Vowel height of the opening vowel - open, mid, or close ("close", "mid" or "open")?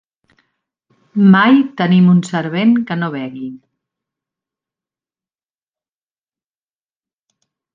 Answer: open